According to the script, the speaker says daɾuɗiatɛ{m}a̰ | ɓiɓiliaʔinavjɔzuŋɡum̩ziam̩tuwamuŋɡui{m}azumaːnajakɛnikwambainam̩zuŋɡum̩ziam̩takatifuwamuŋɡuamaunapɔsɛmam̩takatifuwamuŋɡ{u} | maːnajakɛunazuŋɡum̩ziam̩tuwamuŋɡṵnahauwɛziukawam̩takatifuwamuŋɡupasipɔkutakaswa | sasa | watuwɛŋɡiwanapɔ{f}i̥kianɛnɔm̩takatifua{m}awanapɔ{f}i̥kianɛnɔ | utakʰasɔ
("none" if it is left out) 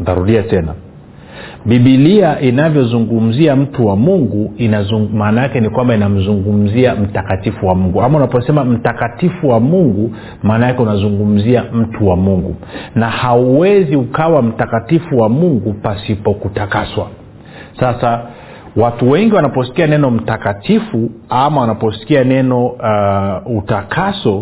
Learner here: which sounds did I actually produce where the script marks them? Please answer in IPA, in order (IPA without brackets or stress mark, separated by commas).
n, n, u, s, m, s